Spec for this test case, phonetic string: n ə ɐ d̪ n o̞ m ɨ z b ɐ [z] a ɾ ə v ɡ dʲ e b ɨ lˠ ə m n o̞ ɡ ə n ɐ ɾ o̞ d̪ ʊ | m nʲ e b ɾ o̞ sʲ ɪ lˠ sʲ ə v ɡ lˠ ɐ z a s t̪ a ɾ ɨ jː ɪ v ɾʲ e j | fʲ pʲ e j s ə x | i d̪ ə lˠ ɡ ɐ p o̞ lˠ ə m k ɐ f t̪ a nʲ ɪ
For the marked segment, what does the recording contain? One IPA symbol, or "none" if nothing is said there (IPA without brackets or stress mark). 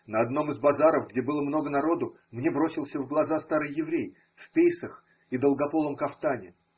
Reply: z